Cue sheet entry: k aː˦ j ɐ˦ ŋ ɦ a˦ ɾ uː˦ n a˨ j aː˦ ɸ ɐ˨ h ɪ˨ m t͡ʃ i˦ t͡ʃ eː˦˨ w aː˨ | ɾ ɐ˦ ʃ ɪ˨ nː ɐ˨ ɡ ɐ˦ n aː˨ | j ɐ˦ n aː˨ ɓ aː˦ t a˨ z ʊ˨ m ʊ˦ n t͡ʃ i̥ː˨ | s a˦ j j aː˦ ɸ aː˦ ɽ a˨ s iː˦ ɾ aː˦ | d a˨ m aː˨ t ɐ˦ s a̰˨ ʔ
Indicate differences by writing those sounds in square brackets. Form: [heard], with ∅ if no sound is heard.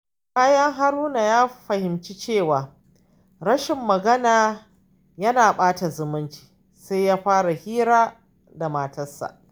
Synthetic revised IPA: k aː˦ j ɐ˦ ŋ ɦ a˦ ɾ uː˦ n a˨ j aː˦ ɸ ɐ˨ h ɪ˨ m t͡ʃ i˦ t͡ʃ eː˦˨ w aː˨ | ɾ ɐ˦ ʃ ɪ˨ [mː] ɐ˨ ɡ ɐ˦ n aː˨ | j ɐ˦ n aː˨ ɓ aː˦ t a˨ z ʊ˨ m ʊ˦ n t͡ʃ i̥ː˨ | s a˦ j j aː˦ ɸ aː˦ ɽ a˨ [h] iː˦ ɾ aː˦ | d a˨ m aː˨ t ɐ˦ s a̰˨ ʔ